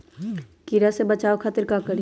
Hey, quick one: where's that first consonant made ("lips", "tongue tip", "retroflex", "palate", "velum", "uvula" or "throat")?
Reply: velum